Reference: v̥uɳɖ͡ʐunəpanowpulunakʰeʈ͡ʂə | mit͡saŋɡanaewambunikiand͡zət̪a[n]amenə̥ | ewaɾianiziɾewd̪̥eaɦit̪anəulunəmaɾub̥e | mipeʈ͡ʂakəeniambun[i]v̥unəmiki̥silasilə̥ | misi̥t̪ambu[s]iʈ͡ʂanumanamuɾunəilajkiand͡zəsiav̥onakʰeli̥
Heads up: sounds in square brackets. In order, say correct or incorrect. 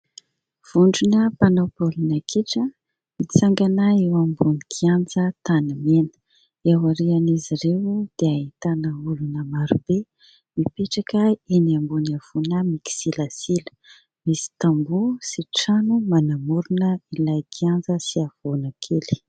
correct, incorrect, correct

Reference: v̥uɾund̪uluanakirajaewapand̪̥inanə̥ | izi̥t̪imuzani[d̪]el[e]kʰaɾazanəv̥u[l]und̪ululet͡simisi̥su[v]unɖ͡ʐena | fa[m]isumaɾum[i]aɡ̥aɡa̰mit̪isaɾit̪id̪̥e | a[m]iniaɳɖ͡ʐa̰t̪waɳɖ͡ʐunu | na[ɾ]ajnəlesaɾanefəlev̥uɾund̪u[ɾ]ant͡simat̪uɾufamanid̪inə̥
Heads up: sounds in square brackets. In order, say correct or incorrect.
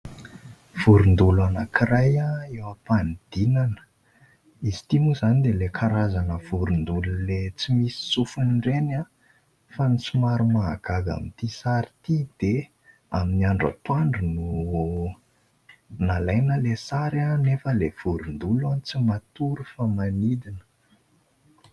correct, correct, incorrect, incorrect, incorrect, incorrect, correct, incorrect, incorrect

